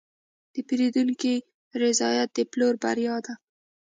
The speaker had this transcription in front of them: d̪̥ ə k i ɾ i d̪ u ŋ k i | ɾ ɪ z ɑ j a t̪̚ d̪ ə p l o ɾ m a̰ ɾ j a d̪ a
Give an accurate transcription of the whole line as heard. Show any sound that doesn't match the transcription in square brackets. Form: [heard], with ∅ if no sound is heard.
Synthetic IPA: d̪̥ ə [p] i ɾ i d̪ u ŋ k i | ɾ ɪ z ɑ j a t̪̚ d̪ ə p l o ɾ [b] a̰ ɾ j [ɑ] d̪ a